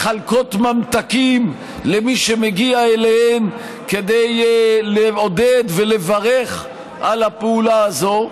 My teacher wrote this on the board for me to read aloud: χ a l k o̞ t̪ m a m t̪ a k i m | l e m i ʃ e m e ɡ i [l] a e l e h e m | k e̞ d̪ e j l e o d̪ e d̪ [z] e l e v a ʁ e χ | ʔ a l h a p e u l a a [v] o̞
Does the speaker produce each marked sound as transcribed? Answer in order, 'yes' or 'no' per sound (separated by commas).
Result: no, no, no